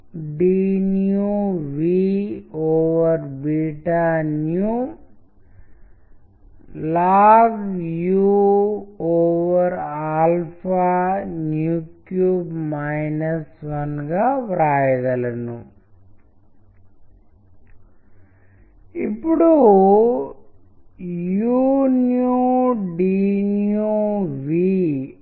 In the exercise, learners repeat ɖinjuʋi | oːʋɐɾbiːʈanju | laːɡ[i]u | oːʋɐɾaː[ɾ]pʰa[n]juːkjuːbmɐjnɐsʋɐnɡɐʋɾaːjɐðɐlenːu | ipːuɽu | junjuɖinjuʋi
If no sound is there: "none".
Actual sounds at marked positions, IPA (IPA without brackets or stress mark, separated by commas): j, l, n